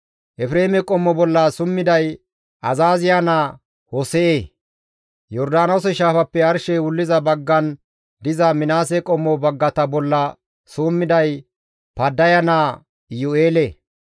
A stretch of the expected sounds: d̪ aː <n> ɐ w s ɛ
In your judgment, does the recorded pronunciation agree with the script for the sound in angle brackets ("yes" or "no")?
yes